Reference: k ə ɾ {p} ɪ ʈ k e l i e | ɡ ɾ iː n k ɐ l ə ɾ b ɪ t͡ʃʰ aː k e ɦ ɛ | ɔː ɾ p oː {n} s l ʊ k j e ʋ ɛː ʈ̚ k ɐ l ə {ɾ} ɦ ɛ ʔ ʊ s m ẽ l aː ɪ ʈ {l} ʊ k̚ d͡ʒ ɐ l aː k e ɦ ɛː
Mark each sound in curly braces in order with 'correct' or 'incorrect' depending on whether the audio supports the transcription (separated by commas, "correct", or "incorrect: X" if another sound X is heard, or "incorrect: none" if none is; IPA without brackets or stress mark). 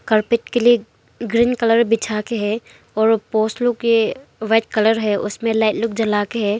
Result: correct, incorrect: none, correct, correct